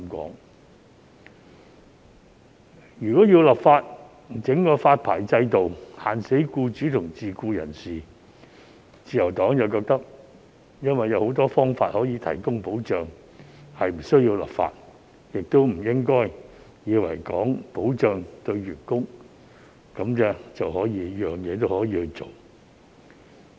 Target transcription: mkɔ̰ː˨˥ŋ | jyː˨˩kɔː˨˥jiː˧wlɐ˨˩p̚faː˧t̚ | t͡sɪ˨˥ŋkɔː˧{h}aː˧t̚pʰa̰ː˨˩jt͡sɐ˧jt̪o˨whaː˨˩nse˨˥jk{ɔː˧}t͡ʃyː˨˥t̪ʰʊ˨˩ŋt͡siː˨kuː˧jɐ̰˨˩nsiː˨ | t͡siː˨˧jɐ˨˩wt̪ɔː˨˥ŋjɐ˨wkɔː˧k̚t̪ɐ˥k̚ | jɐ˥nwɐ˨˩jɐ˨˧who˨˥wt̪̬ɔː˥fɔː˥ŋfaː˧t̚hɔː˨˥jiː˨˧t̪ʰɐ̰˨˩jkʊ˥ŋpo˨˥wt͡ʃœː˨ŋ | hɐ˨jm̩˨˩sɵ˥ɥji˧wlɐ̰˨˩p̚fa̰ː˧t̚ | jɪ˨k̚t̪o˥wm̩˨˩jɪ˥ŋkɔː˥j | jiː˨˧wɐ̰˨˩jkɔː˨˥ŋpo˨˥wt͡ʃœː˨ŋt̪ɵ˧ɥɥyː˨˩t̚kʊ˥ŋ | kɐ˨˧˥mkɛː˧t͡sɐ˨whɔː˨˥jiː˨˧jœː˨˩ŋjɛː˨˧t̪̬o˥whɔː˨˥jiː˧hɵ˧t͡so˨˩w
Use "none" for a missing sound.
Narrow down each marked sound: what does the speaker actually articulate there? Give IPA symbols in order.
f, uː˧

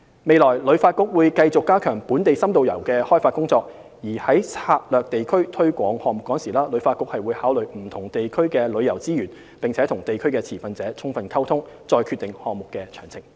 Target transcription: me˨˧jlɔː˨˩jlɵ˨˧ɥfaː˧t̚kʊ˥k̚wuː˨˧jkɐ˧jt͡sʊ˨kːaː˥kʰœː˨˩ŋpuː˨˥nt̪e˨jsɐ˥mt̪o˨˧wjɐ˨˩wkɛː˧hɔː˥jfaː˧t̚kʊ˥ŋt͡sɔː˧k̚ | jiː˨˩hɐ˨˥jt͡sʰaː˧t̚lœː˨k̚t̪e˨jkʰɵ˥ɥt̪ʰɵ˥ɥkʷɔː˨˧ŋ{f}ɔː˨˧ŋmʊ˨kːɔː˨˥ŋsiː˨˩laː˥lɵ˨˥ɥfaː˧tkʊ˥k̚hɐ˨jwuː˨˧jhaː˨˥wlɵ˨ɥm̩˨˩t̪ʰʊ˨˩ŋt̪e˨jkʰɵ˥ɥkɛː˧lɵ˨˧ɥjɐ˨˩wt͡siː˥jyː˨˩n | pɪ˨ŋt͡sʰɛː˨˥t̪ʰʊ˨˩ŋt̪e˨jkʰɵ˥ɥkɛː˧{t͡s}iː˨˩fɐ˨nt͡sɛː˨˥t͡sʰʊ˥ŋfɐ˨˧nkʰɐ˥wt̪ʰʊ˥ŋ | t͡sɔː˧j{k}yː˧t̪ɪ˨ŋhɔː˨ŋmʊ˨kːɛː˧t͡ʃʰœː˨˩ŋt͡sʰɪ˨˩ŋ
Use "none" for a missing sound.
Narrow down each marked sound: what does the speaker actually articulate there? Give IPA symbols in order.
h, t͡sʰ, kʰ

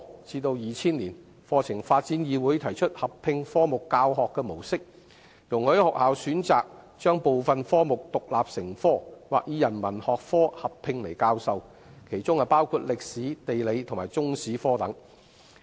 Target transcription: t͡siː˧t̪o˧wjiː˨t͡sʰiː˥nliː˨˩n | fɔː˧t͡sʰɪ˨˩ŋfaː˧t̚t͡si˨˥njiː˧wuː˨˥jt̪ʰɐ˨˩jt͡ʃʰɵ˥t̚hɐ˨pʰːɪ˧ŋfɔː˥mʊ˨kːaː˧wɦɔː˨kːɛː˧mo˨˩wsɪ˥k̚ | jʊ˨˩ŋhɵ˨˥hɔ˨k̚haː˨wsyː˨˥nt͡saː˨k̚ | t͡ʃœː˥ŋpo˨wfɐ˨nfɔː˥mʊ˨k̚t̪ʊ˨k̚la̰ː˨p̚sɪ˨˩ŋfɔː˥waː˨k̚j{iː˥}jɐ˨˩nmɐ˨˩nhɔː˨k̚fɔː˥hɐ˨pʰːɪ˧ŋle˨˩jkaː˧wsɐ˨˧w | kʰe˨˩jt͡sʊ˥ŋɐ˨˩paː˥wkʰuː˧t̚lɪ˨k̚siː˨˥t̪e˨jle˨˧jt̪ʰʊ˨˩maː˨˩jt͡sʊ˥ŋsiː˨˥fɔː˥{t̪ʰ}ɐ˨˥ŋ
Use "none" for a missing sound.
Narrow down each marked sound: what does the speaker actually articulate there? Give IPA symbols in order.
iː˨˧, t̪

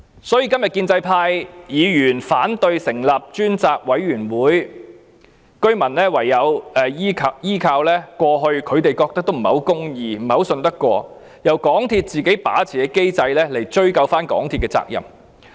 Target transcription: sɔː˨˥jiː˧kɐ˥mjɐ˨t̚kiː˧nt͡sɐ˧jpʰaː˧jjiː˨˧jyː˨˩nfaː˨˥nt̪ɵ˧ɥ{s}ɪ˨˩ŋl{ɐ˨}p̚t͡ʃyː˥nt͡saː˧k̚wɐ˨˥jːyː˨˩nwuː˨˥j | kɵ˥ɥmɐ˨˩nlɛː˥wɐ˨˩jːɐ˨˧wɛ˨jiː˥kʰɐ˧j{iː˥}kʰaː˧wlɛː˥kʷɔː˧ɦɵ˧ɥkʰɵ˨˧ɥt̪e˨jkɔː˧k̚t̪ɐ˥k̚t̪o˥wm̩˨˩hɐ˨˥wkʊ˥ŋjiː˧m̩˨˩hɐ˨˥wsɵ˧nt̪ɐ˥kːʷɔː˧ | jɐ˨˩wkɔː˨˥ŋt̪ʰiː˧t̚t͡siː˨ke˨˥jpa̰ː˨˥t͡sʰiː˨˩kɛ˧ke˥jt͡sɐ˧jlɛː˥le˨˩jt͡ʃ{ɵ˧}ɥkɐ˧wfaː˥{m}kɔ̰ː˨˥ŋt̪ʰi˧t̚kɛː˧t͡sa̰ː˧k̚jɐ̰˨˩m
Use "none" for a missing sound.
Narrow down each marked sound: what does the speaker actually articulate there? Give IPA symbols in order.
s, ɐ˨, iː˥, ɵ˥, n

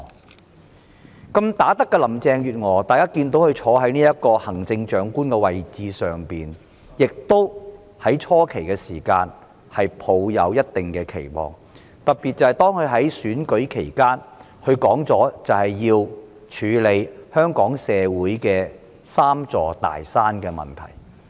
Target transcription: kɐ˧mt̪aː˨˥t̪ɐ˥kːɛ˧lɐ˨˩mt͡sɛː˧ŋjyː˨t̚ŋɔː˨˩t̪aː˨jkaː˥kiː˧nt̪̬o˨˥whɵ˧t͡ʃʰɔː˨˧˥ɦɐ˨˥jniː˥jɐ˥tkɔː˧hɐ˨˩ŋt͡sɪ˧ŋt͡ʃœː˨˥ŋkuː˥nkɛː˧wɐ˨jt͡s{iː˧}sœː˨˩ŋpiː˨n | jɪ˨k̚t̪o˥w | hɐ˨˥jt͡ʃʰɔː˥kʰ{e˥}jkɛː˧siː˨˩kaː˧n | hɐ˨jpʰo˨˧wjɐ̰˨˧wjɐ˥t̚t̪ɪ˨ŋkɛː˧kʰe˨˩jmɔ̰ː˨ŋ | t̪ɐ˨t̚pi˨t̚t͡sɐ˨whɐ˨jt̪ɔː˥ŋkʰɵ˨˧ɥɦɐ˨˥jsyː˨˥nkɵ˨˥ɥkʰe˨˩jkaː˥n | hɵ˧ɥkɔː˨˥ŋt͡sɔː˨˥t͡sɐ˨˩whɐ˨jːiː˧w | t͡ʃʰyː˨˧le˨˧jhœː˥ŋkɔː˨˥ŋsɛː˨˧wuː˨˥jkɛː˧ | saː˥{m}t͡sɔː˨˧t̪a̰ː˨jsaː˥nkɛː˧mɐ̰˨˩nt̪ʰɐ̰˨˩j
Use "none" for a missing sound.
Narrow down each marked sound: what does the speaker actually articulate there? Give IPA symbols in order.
iː˧, e˨˩, m

